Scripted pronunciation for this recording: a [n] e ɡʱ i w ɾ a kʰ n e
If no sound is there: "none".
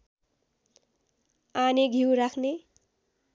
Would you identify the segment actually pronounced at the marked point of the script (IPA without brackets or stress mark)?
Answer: n